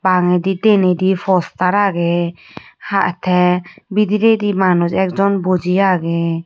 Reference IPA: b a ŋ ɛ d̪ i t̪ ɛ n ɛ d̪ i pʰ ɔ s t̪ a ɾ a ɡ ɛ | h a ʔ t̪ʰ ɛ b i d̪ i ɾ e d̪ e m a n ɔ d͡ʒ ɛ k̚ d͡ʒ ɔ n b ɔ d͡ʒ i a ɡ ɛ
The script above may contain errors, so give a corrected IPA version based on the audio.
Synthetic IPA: b a ŋ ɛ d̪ i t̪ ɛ n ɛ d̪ i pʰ ɔ s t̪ a ɾ a ɡ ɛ | h a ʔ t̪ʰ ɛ b i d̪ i ɾ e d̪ i m a n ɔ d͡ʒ ɛ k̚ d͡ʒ ɔ n b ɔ d͡ʒ i a ɡ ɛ

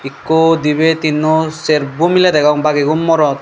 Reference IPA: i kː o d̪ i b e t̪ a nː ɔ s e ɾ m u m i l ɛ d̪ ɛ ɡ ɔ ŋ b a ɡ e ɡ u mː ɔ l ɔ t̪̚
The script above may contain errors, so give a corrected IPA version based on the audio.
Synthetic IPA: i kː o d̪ i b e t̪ i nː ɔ s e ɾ b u m i l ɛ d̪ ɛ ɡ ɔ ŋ b a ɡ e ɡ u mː ɔ ɾ ɔ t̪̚

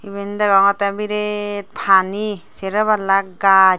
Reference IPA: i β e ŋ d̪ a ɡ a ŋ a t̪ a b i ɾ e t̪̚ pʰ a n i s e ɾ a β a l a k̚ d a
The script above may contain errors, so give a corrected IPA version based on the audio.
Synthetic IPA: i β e n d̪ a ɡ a ŋ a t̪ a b i ɾ e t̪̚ pʰ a n i s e ɾ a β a l a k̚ ɡ a

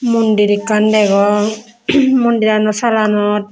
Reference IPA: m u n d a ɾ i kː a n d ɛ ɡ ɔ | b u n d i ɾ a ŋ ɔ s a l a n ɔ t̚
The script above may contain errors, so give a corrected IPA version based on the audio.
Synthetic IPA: m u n d i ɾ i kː a n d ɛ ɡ ɔ | m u n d i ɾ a n ɔ s a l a n ɔ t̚

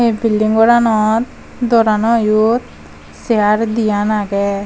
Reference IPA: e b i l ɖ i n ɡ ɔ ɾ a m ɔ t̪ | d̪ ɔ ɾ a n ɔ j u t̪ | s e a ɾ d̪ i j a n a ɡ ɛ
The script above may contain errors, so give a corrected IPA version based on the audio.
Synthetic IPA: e b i l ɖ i ŋ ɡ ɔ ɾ a n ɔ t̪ | d̪ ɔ ɾ a n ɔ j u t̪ | s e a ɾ d̪ i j a n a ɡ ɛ

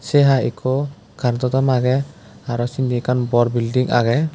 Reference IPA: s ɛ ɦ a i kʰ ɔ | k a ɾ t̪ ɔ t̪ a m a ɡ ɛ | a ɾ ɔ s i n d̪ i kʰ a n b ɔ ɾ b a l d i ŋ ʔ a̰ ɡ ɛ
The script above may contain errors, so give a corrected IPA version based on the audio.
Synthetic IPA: s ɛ ɦ a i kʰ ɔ | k a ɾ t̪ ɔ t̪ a m a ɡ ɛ | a ɾ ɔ s i n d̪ i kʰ a n b ɔ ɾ b i l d i ŋ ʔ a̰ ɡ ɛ

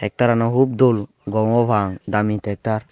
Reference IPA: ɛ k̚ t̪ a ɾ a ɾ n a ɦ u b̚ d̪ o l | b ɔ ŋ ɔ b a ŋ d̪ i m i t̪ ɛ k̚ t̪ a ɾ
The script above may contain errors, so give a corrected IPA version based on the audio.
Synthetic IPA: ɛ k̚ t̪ a ɾ a n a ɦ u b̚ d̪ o l | ɡ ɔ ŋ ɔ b a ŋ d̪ a m i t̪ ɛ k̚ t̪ a ɾ

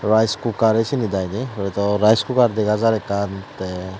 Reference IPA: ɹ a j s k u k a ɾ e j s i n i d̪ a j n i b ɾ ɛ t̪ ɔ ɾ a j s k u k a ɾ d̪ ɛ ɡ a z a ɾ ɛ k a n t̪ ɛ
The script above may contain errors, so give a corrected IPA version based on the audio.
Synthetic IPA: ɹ a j s k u k a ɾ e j s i n i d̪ a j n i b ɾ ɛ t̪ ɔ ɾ a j s k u k a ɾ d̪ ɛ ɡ a z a ɾ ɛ k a n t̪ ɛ

